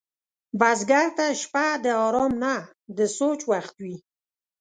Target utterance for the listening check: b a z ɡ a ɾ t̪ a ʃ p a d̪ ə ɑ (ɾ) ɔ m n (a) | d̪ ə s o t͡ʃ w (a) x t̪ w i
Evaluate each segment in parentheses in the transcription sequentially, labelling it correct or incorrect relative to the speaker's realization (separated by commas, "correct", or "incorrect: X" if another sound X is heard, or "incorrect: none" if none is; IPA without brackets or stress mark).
correct, correct, correct